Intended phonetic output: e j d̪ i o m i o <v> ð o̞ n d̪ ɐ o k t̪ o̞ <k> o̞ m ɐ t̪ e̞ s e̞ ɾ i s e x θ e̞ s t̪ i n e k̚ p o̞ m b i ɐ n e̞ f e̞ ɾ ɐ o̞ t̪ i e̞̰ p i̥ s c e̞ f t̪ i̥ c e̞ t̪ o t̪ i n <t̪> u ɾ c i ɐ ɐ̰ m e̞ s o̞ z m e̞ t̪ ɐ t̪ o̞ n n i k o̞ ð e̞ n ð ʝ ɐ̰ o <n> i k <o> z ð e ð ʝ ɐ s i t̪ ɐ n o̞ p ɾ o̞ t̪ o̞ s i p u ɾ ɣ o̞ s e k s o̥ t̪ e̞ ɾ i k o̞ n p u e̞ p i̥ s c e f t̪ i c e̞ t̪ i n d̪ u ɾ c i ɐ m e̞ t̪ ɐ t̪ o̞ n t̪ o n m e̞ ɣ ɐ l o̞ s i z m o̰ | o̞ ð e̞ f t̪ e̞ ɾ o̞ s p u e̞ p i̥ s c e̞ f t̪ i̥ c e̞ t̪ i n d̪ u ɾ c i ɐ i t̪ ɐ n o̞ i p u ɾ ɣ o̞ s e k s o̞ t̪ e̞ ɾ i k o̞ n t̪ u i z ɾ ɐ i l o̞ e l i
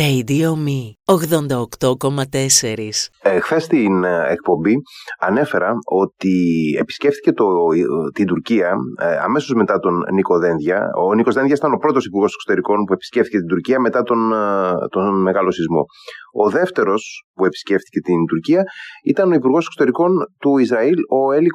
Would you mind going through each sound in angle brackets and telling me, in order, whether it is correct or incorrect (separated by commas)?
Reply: incorrect, correct, incorrect, correct, correct